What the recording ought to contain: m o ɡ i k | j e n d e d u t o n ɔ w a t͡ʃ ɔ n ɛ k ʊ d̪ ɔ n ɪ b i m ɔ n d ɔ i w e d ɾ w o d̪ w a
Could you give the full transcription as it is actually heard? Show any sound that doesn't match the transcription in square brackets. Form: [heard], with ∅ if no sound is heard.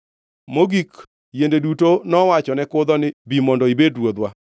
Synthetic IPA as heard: m o ɡ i k | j e n d e d u t o n ɔ w a t͡ʃ ɔ n ɛ k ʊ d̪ ɔ n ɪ b i m ɔ n d ɔ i [b] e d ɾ w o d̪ w a